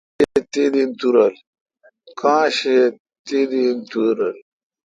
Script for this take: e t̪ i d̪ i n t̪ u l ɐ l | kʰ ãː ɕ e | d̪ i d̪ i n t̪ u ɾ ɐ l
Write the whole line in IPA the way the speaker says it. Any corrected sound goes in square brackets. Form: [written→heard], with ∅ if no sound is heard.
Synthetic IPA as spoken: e t̪ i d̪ i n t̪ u [l→ɾ] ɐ l | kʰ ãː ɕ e | [d̪→t̪] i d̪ i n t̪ u ɾ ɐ l

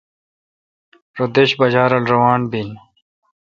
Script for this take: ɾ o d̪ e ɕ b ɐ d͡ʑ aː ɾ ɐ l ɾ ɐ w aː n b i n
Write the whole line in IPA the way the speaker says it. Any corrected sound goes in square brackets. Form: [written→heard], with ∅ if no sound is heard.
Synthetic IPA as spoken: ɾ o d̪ e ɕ b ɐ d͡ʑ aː ɾ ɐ l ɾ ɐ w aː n b i n

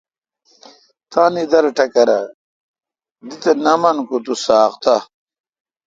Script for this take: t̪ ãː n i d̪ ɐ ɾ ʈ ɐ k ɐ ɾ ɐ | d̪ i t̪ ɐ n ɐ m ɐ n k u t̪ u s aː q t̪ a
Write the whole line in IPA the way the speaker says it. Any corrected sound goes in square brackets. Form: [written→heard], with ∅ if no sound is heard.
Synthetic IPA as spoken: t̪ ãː n i d̪ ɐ ɾ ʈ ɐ k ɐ ɾ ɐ | d̪ i t̪ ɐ n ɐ m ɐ n k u t̪ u s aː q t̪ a

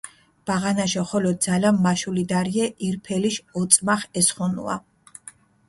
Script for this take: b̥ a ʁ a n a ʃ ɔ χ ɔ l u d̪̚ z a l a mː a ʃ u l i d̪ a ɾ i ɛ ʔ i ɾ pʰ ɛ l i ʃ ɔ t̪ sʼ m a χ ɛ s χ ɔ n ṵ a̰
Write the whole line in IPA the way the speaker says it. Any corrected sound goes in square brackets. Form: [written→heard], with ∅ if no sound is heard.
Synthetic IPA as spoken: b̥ a ʁ a n a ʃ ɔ χ ɔ l [u→ɔ] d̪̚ z a l a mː a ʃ u l i d̪ a ɾ i ɛ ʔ i ɾ pʰ ɛ l i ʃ ɔ t̪ sʼ m a χ ɛ s χ ɔ n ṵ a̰

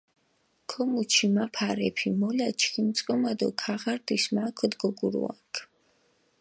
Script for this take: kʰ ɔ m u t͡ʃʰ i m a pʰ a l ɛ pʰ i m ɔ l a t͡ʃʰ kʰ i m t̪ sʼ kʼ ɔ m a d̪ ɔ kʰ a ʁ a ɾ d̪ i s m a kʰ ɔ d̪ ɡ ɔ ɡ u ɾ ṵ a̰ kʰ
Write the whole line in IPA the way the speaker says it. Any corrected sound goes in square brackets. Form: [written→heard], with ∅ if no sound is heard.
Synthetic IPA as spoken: kʰ ɔ m u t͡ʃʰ i m a pʰ a [l→ɾ] ɛ pʰ i m ɔ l a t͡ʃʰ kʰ i m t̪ sʼ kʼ ɔ m a d̪ ɔ kʰ a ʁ a ɾ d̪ i s m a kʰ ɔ d̪ ɡ ɔ ɡ u ɾ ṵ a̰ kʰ

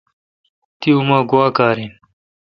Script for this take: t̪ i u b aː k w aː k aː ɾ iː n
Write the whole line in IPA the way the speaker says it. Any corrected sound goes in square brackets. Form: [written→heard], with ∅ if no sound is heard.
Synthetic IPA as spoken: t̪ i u [b→m] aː [k→ɡ] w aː k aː ɾ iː n

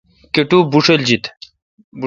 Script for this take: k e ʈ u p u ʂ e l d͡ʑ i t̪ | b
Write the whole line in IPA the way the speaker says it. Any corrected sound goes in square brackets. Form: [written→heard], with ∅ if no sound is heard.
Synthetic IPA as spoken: k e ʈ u [p→b] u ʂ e l d͡ʑ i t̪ | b

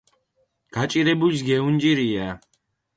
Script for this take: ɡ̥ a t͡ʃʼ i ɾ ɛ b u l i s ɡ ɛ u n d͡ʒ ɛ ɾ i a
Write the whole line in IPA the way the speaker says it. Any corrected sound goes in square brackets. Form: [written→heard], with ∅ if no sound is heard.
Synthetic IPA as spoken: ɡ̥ a t͡ʃʼ i ɾ ɛ b u l i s ɡ ɛ u n d͡ʒ [ɛ→i] ɾ i a

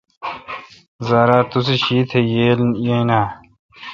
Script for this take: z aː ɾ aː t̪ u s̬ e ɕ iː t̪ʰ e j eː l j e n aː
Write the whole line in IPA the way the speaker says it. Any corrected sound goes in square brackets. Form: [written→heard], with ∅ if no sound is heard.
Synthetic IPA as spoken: z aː ɾ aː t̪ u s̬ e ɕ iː t̪ʰ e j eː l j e n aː

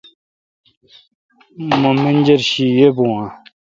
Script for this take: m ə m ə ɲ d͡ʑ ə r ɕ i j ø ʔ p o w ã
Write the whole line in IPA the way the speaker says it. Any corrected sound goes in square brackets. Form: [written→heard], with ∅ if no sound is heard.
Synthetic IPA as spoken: m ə m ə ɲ d͡ʑ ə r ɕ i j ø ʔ p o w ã

